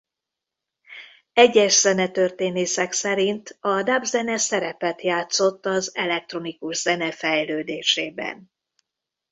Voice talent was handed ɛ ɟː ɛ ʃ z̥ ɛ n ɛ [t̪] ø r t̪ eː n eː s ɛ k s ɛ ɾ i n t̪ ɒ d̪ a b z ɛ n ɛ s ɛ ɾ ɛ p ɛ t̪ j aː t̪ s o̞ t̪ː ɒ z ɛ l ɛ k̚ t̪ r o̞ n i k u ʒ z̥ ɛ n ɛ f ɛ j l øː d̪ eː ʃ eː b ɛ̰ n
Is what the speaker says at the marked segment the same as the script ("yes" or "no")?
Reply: yes